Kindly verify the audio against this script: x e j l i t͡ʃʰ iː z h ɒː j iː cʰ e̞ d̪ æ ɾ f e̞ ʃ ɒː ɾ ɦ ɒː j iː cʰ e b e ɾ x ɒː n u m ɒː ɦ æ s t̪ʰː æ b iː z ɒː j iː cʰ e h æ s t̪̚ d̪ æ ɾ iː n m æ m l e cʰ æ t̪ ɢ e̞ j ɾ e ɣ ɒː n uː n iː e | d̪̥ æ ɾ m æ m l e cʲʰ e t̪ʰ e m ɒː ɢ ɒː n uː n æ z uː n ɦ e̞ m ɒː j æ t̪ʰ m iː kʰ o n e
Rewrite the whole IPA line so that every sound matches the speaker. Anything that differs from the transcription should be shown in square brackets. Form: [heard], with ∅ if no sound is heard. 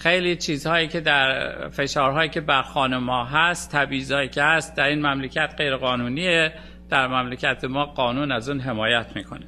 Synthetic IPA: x e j l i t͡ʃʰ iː z h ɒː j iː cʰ e̞ d̪ æ ɾ f e̞ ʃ ɒː ɾ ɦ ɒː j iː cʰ e b [æ] ɾ x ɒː n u m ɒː ɦ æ s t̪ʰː æ b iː z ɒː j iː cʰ e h æ s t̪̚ d̪ æ ɾ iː n m æ m l e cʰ æ t̪ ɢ e̞ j ɾ e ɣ ɒː n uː n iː e | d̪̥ æ ɾ m æ m l e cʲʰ [æ] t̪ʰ e m ɒː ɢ ɒː n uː n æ z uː n ɦ e̞ m ɒː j æ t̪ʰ m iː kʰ o n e